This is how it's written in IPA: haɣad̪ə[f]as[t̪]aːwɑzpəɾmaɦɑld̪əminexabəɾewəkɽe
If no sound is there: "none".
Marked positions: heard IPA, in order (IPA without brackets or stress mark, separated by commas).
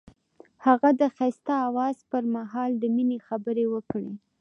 x, t̪